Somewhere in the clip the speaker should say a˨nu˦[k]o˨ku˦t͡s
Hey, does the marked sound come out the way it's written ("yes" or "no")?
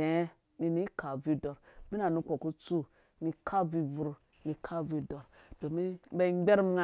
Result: yes